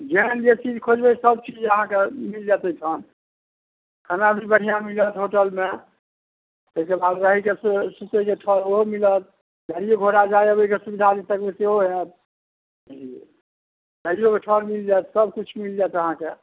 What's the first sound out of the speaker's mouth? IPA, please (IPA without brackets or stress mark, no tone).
d͡ʒ